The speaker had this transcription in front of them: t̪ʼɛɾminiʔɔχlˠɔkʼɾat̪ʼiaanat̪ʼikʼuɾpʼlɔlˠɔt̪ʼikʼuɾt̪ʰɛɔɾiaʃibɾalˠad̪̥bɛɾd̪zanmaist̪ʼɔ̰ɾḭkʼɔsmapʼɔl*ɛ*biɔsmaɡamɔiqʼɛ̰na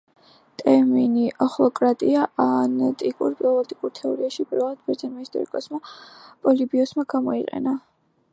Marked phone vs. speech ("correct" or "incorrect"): incorrect